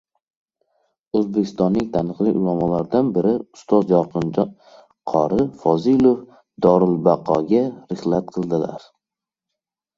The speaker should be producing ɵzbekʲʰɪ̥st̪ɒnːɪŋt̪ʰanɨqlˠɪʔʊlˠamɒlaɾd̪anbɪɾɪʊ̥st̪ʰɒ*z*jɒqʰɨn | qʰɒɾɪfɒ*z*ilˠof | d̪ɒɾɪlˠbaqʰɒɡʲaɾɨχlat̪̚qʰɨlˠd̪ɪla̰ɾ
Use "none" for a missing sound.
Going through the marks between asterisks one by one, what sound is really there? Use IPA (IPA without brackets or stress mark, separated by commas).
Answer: z, z